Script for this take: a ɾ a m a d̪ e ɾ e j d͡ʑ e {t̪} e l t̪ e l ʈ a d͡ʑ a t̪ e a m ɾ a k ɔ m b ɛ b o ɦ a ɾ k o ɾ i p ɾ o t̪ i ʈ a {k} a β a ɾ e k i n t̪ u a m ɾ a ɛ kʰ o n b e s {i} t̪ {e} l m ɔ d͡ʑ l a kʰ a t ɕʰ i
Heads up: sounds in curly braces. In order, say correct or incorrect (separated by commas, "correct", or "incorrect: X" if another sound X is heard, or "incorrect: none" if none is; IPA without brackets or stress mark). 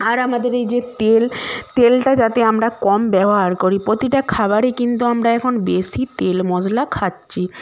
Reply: correct, incorrect: kʰ, correct, correct